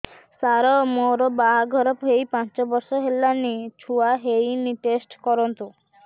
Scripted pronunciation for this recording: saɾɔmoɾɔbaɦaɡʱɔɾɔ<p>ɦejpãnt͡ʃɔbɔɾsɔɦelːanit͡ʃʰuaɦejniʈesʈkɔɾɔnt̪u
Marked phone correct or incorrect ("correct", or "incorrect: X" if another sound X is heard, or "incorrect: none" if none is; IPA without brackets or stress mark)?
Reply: correct